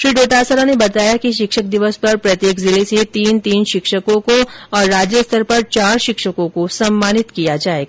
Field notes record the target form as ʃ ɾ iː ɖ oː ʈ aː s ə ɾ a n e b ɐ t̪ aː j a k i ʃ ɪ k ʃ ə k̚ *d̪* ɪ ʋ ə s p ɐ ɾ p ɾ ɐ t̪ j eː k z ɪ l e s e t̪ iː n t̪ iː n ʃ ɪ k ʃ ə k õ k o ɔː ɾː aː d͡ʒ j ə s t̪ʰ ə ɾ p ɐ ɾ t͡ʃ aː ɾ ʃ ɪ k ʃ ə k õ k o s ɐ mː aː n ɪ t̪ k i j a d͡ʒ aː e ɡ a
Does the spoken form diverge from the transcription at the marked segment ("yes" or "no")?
no